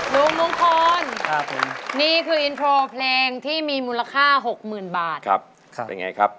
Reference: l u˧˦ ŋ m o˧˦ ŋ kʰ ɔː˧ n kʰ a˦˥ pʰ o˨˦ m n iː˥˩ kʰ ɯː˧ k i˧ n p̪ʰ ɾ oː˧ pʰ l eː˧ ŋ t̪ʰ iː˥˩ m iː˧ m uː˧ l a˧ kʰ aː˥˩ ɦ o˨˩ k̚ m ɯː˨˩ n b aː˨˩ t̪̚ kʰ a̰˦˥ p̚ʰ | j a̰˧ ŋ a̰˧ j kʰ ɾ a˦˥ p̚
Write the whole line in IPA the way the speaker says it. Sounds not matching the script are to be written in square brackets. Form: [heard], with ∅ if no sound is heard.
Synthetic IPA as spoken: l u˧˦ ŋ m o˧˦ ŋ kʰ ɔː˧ n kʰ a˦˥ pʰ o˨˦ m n iː˥˩ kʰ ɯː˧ [ʔ] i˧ n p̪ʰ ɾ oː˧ pʰ l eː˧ ŋ t̪ʰ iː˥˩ m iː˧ m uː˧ l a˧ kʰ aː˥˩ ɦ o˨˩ k̚ m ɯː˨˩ n b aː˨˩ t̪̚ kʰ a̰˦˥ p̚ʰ | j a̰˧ ŋ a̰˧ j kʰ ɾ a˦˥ p̚